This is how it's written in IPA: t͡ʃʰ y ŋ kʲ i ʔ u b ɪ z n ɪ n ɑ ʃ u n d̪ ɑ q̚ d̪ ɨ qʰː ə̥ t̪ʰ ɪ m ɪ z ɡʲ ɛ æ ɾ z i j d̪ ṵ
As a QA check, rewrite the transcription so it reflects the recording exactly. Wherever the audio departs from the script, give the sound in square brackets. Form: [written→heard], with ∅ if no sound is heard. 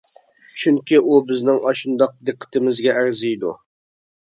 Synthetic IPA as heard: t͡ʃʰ y ŋ kʲ i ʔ u b ɪ z n ɪ [n→ŋ] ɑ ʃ u n d̪ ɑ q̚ d̪ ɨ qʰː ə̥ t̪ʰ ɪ m ɪ z ɡʲ ɛ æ ɾ z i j d̪ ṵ